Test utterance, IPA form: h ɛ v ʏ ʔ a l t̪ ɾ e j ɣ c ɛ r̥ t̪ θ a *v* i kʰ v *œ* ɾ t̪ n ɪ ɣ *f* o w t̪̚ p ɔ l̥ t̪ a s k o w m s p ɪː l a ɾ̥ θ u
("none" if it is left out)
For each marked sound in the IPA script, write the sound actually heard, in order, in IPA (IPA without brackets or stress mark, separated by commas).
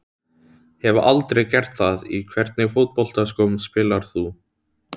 ð, ɛ, f